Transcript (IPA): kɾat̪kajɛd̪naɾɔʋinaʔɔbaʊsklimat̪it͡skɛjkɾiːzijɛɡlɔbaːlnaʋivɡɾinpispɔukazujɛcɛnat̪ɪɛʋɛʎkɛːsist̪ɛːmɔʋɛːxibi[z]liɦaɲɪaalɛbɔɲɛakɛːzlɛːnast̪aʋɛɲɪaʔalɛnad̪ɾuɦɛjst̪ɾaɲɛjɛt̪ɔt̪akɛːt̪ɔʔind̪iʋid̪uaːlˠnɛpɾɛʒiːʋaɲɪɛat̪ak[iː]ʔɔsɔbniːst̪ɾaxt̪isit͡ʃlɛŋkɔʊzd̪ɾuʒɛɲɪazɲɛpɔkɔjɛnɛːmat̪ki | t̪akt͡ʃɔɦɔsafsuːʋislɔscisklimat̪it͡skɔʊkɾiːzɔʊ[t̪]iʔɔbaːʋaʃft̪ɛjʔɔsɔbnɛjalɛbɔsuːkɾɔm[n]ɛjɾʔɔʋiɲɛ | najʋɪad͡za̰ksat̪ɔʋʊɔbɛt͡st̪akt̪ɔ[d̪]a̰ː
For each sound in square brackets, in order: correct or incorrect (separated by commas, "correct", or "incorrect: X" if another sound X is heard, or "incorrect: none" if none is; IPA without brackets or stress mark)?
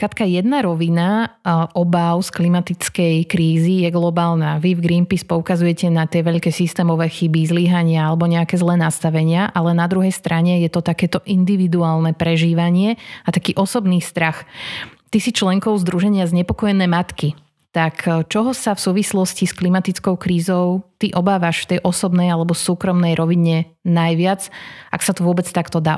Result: correct, correct, correct, correct, correct